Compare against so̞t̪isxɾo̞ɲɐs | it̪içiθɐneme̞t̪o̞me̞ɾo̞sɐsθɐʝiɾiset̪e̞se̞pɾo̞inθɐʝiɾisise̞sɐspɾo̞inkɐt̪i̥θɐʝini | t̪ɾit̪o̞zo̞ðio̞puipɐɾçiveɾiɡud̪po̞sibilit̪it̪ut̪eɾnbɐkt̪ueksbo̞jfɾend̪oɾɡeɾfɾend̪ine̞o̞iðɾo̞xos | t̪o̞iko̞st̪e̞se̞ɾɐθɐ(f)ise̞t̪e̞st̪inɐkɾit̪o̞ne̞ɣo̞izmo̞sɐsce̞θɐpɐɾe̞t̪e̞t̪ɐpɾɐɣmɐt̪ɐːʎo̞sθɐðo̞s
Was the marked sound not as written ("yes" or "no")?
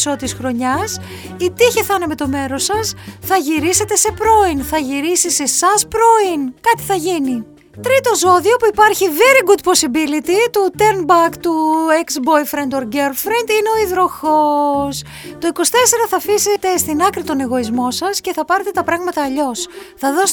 no